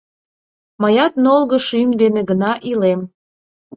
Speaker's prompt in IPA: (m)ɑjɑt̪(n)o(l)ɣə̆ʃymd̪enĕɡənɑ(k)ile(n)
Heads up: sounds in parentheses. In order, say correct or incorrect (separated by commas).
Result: correct, correct, correct, incorrect, incorrect